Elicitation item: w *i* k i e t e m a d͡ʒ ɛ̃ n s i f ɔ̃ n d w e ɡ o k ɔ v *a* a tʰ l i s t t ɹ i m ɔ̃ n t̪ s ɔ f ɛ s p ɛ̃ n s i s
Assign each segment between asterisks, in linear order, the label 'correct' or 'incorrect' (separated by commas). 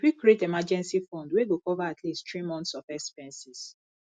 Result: correct, correct